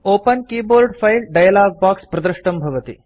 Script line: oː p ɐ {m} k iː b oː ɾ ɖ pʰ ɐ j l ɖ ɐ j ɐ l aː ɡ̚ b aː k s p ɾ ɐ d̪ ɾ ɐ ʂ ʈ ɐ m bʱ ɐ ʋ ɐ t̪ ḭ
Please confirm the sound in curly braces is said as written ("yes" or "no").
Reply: no